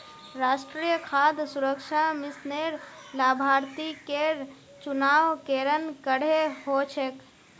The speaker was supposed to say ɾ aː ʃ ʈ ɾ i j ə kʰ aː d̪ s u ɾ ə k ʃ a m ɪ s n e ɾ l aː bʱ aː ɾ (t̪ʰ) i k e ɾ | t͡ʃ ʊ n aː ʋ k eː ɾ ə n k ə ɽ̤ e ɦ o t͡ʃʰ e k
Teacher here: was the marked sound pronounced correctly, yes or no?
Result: no